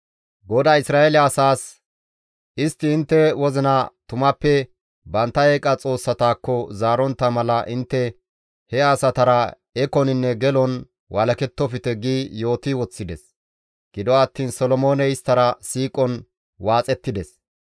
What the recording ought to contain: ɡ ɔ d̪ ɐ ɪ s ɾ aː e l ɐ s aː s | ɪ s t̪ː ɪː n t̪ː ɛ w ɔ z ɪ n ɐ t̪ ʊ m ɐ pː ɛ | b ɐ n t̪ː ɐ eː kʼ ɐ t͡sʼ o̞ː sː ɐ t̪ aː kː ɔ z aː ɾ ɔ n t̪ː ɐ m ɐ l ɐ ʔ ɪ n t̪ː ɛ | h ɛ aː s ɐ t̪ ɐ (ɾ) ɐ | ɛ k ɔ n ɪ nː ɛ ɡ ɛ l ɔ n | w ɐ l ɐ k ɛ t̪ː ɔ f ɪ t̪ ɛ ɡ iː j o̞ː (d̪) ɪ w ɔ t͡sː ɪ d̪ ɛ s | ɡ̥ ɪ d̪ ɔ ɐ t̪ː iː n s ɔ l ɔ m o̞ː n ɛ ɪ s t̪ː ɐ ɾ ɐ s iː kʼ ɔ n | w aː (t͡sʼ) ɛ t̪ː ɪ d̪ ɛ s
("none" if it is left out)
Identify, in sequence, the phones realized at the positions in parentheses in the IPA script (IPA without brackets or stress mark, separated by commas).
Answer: ɾ, t̪, t͡sʼ